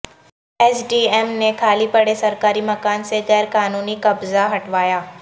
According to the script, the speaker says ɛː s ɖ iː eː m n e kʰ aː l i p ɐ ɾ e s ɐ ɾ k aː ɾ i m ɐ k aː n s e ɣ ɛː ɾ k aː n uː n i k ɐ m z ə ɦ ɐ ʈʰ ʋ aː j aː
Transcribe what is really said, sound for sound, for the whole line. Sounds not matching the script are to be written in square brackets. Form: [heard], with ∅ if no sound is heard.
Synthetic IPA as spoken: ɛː s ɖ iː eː m n e kʰ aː l i p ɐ [ɽ] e s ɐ ɾ k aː ɾ i m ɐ k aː n s e ɣ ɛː ɾ k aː n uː n i k ɐ [b] z [a] ɦ ɐ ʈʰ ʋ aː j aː